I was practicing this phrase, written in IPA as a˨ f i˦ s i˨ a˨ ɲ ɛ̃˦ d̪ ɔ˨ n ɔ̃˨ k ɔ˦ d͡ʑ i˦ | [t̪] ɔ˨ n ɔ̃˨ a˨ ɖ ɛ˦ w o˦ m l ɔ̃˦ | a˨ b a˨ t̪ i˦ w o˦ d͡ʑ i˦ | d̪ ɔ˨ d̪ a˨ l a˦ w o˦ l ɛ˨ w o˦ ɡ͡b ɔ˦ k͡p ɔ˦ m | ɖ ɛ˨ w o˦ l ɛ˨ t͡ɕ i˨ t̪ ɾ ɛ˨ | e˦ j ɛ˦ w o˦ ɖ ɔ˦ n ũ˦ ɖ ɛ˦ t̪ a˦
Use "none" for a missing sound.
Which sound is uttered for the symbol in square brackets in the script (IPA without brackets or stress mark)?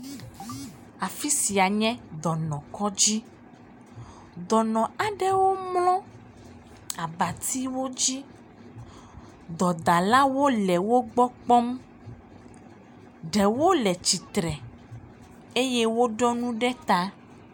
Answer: d̪